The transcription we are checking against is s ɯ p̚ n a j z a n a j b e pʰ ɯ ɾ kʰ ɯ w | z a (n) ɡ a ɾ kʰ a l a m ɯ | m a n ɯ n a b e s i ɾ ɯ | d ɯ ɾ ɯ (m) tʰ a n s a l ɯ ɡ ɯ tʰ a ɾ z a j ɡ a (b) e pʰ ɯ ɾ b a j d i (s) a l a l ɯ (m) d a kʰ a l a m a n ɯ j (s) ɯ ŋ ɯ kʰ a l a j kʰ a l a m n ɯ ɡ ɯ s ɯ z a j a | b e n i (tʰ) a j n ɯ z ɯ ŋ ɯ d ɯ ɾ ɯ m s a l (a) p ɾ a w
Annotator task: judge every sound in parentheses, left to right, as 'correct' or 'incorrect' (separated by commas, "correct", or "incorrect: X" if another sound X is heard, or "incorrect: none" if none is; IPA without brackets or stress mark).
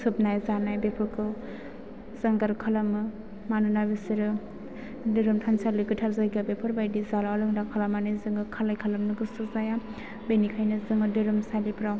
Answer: incorrect: ŋ, correct, correct, incorrect: z, incorrect: ŋ, incorrect: z, incorrect: kʰ, incorrect: i